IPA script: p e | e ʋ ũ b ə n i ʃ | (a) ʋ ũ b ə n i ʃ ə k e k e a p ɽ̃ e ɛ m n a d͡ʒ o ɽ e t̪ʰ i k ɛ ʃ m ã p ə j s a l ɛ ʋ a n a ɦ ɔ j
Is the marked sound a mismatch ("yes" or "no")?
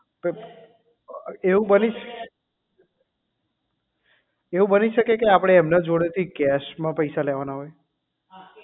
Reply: yes